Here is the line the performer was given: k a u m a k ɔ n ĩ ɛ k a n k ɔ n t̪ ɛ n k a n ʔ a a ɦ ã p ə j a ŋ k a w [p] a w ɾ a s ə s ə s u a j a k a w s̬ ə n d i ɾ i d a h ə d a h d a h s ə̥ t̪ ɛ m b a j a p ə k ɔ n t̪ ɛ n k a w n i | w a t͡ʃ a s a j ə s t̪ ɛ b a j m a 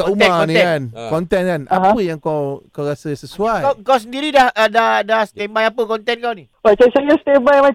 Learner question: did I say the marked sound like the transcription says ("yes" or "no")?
no